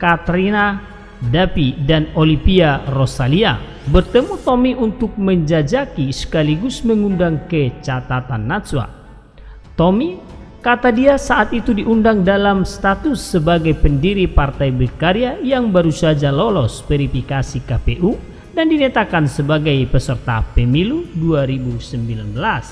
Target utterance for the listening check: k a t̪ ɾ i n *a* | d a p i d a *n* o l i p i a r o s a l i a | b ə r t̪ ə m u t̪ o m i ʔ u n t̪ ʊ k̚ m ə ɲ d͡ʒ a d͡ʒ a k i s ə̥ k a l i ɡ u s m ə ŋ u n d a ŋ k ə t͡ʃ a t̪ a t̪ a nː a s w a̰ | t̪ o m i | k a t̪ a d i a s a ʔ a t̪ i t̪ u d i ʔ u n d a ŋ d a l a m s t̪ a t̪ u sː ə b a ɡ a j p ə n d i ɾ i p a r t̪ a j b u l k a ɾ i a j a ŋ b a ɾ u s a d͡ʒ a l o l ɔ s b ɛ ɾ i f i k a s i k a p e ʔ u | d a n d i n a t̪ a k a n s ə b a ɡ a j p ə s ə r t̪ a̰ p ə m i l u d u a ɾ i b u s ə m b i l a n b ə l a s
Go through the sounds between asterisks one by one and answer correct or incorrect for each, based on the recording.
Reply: correct, correct

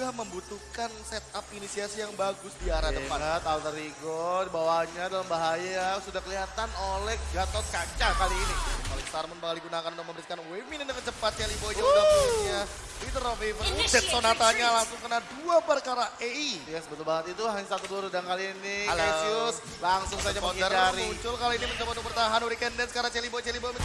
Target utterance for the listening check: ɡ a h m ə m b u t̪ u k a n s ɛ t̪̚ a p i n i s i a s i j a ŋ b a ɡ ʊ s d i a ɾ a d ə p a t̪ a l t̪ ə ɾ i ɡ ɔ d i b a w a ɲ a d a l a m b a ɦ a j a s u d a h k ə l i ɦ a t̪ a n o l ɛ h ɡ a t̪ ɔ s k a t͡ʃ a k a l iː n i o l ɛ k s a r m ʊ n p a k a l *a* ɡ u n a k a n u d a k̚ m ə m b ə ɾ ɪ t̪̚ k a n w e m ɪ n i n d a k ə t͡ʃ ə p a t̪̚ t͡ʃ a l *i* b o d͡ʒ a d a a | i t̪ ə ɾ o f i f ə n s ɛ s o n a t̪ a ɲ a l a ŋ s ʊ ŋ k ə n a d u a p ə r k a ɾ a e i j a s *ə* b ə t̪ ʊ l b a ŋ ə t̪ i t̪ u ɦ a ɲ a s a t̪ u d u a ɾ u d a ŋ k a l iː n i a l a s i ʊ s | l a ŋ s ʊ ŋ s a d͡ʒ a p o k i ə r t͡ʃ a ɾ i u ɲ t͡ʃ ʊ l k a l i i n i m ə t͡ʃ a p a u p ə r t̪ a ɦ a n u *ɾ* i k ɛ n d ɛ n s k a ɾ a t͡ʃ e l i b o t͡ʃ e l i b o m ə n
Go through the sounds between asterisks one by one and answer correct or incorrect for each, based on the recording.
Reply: incorrect: i, correct, correct, correct

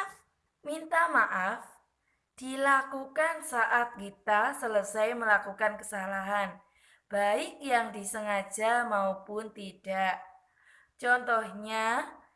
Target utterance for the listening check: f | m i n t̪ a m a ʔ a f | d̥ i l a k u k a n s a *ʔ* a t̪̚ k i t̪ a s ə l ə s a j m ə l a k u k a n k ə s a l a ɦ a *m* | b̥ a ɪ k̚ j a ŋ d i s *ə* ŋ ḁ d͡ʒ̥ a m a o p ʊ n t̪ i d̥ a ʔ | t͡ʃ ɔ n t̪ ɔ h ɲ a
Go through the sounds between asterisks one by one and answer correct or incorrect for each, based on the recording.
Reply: correct, incorrect: n, correct

